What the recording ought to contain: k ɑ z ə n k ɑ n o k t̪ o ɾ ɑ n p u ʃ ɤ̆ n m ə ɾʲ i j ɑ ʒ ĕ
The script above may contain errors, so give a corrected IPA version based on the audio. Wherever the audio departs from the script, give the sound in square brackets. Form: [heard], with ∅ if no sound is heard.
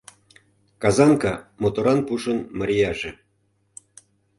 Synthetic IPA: k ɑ z [ɑ] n k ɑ [m] o [∅] t̪ o ɾ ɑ n p u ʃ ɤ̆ n m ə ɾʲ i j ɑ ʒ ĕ